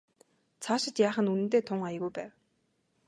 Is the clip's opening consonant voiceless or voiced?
voiceless